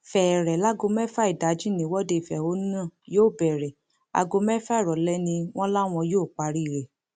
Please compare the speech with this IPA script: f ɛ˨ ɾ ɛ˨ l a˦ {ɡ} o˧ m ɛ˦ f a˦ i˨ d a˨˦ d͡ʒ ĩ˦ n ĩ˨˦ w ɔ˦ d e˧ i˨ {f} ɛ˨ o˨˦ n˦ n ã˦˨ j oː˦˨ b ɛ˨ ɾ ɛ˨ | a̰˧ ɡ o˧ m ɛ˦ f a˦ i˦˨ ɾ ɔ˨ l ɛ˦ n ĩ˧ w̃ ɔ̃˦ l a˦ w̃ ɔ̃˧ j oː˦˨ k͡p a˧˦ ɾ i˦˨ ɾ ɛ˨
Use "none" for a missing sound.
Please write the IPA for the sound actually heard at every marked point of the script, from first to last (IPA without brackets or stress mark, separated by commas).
ɡ, f